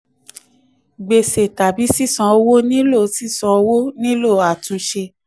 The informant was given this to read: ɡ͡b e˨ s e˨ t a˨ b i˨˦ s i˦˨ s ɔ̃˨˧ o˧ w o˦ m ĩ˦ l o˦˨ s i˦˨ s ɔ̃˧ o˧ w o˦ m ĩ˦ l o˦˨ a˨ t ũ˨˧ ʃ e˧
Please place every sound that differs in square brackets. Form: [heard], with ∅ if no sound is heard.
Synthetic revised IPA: ɡ͡b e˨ s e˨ t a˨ b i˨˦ s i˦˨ s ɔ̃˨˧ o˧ w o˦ [n] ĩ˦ l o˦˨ s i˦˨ s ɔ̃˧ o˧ w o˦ [n] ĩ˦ l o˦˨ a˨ t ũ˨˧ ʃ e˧

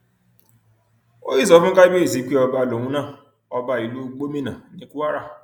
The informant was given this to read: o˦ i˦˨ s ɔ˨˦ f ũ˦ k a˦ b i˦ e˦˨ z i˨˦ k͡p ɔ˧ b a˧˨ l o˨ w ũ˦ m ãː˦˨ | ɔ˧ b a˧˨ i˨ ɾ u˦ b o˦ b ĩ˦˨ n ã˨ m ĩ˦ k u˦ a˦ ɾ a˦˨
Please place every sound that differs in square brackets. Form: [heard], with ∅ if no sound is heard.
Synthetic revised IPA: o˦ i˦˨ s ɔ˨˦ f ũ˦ k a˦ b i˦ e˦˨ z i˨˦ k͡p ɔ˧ b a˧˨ l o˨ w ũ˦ [n] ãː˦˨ | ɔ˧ b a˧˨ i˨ [l] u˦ [ɡ͡b] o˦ [m] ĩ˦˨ n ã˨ [n] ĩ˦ k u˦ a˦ ɾ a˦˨

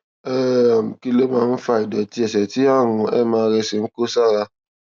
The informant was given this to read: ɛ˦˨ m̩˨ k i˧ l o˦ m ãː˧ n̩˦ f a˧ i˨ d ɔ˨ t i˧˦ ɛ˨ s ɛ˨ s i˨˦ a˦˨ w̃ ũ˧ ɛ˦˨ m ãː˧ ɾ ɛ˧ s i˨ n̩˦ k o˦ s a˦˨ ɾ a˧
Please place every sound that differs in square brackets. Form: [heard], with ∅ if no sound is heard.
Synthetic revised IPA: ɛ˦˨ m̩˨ k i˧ l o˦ m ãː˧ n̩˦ f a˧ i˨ d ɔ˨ t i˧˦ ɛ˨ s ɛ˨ [t] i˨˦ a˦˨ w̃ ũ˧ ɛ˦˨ m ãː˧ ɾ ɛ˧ s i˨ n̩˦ k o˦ s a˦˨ ɾ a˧

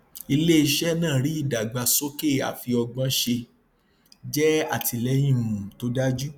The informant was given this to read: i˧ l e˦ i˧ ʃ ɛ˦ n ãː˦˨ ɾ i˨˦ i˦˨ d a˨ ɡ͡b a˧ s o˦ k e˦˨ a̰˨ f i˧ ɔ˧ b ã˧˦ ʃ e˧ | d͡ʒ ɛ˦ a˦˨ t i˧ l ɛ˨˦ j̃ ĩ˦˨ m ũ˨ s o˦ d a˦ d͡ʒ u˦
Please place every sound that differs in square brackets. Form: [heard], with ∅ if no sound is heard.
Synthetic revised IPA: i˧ l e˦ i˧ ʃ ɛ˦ n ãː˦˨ ɾ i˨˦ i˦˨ d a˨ ɡ͡b a˧ s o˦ k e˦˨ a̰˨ f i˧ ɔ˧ [ɡ͡b] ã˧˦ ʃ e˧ | d͡ʒ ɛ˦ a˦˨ t i˧ l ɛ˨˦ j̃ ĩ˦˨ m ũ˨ [t] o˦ d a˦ d͡ʒ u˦

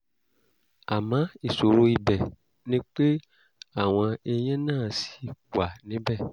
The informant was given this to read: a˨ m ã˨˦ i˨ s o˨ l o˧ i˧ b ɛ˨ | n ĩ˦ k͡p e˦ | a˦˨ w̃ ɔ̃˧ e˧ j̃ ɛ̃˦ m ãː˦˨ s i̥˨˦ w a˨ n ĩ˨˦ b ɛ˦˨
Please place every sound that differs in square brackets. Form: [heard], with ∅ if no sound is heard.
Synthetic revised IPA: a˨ m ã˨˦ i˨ s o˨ [ɾ] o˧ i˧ b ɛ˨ | n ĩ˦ k͡p e˦ | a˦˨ w̃ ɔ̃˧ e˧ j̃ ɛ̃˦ [n] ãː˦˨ s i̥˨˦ w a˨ n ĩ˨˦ b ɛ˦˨

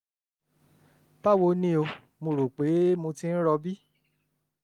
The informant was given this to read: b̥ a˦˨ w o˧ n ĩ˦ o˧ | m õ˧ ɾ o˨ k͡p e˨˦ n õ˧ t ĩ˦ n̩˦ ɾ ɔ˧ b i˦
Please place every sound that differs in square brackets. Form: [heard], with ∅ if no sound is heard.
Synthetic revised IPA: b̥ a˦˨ w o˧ n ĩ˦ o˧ | m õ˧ ɾ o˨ k͡p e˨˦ [m] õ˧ t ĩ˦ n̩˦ ɾ ɔ˧ b i˦

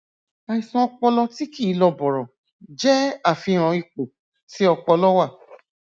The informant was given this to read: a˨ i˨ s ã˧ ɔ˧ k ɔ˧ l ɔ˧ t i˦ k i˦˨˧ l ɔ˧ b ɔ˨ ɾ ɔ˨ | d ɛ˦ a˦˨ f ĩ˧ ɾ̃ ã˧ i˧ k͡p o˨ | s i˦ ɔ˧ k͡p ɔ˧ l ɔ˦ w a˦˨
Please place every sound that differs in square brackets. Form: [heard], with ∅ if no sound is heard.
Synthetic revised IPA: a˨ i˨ s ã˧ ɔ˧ [k͡p] ɔ˧ l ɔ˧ t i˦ k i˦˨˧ l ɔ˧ b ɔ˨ ɾ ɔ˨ | [d͡ʒ] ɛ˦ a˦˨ f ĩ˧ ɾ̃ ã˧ i˧ k͡p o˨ | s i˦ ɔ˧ k͡p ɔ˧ l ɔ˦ w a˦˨

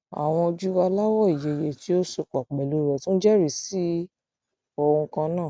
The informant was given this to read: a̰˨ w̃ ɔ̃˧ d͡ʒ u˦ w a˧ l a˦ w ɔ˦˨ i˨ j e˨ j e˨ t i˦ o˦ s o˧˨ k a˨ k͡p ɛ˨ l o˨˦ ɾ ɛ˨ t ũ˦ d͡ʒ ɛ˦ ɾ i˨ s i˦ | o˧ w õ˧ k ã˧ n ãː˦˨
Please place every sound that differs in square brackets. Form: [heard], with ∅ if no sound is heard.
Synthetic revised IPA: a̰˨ w̃ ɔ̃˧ d͡ʒ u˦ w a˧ l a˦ w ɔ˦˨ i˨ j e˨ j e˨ t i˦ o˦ s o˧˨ [k͡p] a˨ k͡p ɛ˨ l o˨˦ ɾ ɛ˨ t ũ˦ d͡ʒ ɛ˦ ɾ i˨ s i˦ | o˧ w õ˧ k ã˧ n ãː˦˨

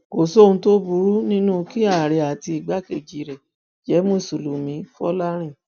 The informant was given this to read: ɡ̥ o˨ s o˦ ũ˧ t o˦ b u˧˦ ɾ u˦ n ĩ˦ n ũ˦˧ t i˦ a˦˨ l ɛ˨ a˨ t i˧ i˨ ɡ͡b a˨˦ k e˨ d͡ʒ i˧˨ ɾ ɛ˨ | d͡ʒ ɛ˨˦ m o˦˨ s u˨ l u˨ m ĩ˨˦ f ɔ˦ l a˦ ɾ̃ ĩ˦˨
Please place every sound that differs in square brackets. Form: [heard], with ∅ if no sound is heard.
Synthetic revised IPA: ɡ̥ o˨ s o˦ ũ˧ t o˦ b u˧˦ ɾ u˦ n ĩ˦ n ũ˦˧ [k] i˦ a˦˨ [ɾ] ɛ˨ a˨ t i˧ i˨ ɡ͡b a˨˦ k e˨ d͡ʒ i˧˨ ɾ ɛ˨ | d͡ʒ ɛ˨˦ m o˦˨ s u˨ l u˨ m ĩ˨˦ f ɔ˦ l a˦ ɾ̃ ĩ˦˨

